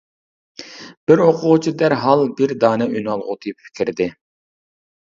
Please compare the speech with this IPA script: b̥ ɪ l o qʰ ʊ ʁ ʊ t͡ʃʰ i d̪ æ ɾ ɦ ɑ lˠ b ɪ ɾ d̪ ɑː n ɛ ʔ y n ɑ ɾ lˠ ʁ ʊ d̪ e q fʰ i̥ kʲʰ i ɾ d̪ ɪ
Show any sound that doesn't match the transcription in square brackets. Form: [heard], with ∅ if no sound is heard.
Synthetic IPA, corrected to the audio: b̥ ɪ [ɾ] o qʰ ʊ ʁ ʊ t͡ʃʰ i d̪ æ ɾ ɦ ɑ lˠ b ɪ ɾ d̪ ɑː n ɛ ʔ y n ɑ [∅] lˠ ʁ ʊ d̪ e [p] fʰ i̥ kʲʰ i ɾ d̪ ɪ

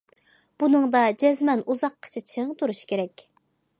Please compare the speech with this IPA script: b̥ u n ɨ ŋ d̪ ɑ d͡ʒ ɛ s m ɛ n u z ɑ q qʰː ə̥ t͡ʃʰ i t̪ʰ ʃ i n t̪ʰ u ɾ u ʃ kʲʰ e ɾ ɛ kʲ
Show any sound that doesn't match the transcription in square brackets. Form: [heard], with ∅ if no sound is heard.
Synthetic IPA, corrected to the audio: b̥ u n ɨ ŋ d̪ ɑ d͡ʒ ɛ [z] m ɛ n u z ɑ q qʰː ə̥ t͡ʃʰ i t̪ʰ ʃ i [ŋ] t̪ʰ u ɾ u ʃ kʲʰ e ɾ ɛ kʲ

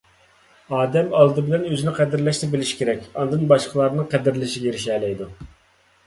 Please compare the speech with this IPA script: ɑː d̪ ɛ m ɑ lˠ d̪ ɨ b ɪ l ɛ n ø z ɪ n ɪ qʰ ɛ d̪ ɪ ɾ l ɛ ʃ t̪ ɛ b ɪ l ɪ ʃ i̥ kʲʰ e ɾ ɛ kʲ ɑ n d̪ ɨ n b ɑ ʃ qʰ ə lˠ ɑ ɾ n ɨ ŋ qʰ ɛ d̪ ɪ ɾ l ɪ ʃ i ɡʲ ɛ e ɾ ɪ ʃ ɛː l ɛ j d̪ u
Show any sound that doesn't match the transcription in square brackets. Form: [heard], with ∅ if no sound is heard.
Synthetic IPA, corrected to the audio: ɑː d̪ ɛ m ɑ lˠ d̪ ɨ b ɪ l ɛ n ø z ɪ n ɪ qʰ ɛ d̪ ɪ ɾ l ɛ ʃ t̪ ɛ b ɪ l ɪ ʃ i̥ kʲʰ e ɾ ɛ kʲ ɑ n d̪ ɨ n b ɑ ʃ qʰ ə lˠ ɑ ɾ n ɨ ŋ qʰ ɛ d̪ ɪ ɾ l ɪ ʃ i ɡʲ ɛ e ɾ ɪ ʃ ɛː l ɛ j d̪ u

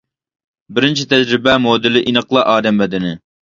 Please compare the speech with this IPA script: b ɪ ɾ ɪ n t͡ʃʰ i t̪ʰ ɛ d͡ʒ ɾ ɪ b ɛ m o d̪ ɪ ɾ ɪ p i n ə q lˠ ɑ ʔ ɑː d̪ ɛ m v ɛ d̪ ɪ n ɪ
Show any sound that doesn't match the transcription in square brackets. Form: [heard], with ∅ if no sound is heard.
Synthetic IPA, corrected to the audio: b ɪ ɾ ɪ n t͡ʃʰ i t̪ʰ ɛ d͡ʒ ɾ ɪ b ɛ m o d̪ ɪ [l] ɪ [ʔ] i n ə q lˠ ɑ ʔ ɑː d̪ ɛ m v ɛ d̪ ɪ n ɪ

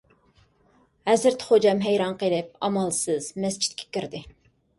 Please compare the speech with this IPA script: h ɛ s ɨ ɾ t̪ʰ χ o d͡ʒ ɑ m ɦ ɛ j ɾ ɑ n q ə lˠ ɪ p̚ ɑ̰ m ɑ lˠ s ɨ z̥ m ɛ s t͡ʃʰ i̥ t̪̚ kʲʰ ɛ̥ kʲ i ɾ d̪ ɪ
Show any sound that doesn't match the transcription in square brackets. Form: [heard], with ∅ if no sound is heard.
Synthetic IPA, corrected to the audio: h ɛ [z] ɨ ɾ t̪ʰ χ o d͡ʒ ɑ m ɦ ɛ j ɾ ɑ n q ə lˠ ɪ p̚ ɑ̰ m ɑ lˠ s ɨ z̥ m ɛ s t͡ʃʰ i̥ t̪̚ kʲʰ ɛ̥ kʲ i ɾ d̪ ɪ

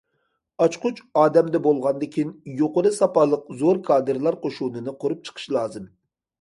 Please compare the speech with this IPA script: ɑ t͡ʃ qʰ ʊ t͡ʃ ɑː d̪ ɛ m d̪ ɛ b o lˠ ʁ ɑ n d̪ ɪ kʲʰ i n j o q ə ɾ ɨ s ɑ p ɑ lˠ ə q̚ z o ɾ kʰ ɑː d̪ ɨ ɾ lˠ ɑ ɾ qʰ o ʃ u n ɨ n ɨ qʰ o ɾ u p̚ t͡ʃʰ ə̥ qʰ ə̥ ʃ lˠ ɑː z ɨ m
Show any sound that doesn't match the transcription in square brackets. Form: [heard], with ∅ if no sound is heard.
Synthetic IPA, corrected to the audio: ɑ t͡ʃ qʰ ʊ t͡ʃ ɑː d̪ ɛ m d̪ ɛ b o lˠ ʁ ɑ n d̪ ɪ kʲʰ i n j o q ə ɾ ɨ s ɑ p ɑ lˠ ə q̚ z o ɾ kʰ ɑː d̪ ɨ ɾ lˠ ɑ ɾ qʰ o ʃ u n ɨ n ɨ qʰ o ɾ u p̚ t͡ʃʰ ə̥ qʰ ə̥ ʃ lˠ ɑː z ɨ m

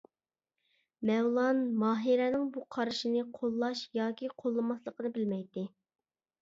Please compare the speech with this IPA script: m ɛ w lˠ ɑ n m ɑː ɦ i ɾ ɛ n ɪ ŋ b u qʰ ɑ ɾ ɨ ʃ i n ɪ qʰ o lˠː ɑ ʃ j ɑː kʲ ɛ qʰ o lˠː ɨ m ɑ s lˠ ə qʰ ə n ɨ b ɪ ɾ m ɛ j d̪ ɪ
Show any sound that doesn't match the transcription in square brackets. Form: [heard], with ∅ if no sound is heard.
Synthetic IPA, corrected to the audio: m ɛ w lˠ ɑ n m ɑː ɦ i ɾ ɛ n ɪ ŋ b u qʰ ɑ ɾ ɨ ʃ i n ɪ qʰ o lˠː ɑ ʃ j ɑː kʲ [i] qʰ o lˠː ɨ m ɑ s lˠ ə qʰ ə n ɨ b ɪ [l] m ɛ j [t̪] ɪ

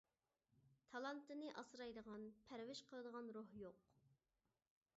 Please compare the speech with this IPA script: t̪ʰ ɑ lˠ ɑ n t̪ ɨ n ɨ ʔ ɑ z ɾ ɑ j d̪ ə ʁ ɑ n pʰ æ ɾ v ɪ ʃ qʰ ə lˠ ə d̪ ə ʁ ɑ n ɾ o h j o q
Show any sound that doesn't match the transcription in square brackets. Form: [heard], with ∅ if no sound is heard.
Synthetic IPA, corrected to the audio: t̪ʰ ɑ lˠ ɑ n t̪ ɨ n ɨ ʔ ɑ [s] ɾ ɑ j d̪ ə ʁ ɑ n pʰ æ ɾ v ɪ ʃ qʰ ə lˠ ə d̪ ə ʁ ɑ n ɾ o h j o q

